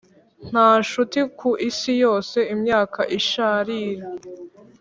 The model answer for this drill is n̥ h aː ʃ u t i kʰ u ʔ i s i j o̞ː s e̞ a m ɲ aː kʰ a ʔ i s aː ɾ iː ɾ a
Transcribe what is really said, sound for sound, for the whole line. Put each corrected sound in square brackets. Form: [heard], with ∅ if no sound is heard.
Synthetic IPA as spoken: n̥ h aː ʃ u t i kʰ u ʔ i s i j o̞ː s e̞ [i] m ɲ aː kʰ a ʔ i [ʃ] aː ɾ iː ɾ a